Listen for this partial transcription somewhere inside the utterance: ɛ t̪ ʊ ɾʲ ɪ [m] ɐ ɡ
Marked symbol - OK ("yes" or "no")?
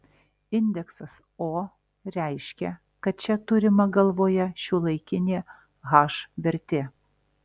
yes